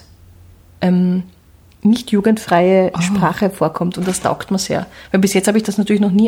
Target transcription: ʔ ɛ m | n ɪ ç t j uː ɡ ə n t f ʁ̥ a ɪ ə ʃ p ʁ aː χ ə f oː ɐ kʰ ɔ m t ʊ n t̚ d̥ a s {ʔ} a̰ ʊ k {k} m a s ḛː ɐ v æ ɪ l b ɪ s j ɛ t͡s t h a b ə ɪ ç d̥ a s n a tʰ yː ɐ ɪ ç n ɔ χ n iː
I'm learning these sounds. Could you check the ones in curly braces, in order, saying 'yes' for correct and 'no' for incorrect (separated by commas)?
no, no